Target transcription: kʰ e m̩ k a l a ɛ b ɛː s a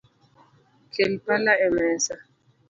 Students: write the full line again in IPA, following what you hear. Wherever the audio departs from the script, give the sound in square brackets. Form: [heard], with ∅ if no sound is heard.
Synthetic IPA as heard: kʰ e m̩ [p] a l a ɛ [m] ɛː s a